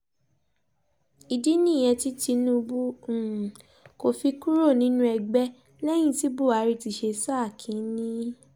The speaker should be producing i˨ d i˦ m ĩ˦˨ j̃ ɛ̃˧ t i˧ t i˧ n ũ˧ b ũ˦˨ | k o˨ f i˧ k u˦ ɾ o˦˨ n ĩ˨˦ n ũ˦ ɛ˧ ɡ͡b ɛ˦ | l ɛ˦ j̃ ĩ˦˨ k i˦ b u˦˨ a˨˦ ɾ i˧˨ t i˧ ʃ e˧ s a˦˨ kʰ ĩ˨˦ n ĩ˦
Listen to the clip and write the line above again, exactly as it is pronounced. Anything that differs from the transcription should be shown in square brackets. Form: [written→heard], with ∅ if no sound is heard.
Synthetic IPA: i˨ d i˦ [m→n] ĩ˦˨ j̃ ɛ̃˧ t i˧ t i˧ n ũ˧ b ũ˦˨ | k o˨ f i˧ k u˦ ɾ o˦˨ n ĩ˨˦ n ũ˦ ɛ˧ ɡ͡b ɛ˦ | l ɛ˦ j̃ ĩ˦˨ [k→t] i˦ b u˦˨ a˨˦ ɾ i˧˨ t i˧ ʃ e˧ s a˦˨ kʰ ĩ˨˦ n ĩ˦